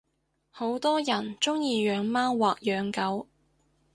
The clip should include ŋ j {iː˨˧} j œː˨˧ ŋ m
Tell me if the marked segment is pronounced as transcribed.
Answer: yes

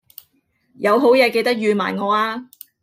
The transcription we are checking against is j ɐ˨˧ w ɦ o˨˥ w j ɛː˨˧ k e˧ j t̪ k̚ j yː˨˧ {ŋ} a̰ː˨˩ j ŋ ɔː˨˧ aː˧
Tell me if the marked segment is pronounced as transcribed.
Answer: no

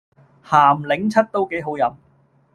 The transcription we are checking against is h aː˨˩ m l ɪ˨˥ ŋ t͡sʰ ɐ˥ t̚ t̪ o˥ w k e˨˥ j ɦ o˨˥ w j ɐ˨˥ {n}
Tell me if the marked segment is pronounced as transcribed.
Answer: no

